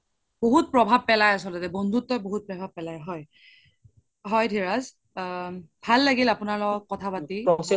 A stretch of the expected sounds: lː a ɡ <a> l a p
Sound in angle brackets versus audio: incorrect: i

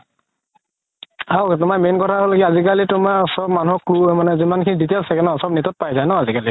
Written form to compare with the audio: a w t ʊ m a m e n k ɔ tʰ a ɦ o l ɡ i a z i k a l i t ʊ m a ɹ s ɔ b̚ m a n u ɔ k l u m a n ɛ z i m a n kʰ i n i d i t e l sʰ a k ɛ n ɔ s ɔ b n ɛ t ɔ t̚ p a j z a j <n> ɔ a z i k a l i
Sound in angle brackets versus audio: correct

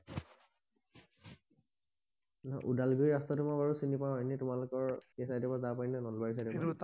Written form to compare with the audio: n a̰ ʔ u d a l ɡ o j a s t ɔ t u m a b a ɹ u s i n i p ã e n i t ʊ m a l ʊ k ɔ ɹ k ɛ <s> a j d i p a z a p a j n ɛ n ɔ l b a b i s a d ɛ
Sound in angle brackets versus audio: correct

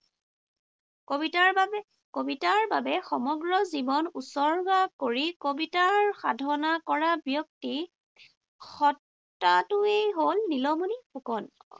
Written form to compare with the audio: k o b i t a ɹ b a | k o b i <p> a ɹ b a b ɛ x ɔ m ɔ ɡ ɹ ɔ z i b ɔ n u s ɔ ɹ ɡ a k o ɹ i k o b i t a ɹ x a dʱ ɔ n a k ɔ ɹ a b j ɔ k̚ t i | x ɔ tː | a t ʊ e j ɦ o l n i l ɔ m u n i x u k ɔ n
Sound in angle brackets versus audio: incorrect: t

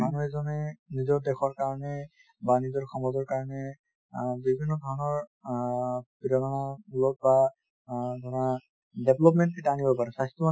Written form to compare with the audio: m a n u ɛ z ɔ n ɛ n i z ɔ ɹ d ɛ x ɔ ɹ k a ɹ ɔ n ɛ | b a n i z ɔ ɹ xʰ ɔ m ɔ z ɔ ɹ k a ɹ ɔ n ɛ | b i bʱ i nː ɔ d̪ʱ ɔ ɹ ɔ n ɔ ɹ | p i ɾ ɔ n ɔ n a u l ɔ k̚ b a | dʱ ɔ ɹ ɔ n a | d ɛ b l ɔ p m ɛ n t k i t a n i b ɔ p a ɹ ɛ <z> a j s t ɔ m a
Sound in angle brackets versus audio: incorrect: s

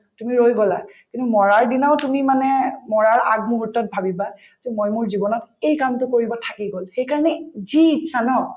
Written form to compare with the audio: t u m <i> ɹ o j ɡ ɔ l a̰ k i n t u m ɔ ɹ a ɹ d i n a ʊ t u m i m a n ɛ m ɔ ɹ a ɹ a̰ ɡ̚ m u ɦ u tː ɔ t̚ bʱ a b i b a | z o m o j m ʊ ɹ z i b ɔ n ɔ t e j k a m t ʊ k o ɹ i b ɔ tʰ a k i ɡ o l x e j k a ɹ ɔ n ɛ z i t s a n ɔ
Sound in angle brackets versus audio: correct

